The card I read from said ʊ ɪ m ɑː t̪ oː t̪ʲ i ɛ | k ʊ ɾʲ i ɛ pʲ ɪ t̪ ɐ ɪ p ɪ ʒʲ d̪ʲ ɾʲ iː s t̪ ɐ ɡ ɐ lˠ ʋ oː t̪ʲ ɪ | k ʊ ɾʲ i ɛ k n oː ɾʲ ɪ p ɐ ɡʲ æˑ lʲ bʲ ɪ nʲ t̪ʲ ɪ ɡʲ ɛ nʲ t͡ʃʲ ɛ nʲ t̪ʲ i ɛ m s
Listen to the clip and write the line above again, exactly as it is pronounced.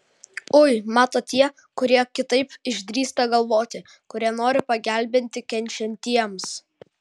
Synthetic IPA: ʊ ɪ m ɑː t̪ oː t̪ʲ i ɛ | k ʊ ɾʲ i ɛ kʲ ɪ t̪ ɐ ɪ p ɪ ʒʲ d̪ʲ ɾʲ iː s t̪ ɐ ɡ ɐ lˠ ʋ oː t̪ʲ ɪ | k ʊ ɾʲ i ɛ n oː ɾʲ ɪ p ɐ ɡʲ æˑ lʲ bʲ ɪ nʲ t̪ʲ ɪ kʲ ɛ nʲ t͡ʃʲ ɛ nʲ t̪ʲ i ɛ m s